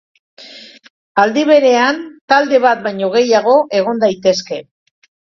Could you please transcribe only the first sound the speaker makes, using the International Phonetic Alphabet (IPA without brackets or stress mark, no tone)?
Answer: a